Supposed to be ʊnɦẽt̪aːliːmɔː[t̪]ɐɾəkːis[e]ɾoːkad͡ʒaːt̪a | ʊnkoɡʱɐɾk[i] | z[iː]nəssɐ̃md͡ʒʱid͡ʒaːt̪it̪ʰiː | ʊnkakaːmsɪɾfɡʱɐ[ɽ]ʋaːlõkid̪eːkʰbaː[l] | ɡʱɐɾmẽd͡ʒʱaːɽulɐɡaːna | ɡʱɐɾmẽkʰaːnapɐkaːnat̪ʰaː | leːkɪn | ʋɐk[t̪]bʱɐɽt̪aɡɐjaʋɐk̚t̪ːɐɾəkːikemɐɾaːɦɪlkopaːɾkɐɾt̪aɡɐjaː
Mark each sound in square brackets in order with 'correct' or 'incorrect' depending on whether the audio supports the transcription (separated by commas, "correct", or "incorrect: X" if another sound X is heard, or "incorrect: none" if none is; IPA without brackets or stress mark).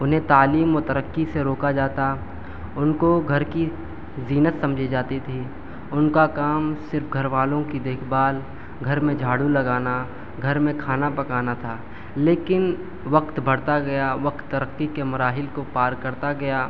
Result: correct, correct, correct, correct, incorrect: ɾ, correct, correct